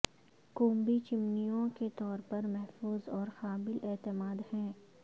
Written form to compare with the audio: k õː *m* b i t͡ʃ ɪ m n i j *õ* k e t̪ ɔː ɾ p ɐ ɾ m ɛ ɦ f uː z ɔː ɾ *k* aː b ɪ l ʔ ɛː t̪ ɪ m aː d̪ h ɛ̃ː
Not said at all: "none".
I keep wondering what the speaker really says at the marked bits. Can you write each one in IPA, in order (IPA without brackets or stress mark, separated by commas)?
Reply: m, õ, x